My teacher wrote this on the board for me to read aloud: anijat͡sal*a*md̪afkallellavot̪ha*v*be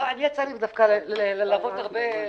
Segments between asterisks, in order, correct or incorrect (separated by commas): incorrect, incorrect